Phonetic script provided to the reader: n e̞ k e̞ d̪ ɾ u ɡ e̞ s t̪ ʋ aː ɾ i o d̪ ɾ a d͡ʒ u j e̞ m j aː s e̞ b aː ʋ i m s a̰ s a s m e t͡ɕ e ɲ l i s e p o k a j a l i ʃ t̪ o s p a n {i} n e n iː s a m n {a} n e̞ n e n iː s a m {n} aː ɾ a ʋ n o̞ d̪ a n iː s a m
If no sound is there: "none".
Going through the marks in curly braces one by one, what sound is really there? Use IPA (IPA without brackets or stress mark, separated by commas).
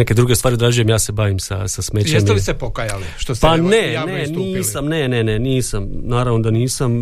e, e, n